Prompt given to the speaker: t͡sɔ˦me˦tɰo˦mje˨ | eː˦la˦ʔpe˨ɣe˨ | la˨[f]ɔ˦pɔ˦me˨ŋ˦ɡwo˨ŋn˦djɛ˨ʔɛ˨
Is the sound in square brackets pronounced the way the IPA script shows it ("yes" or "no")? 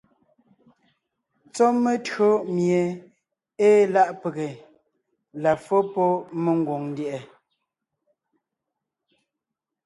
yes